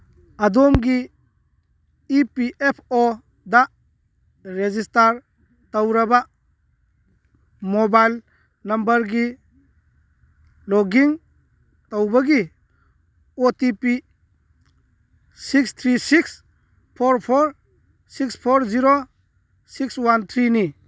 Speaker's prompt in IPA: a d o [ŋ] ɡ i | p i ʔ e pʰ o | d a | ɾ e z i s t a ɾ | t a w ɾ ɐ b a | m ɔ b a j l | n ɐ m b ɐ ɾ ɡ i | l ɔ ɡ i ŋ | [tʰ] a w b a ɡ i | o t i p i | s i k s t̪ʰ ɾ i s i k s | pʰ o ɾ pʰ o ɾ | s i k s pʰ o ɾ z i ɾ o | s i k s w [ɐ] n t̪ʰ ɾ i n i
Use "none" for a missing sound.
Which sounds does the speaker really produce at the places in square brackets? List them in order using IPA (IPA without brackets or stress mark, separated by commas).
m, t, a